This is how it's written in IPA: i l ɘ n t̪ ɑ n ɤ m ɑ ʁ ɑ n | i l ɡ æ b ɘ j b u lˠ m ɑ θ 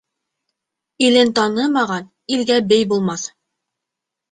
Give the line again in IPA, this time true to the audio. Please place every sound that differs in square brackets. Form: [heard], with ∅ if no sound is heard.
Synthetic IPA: i l ɘ n t̪ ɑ n ɤ m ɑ ʁ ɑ n | i l ɡ æ b ɘ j b u lˠ m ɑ θ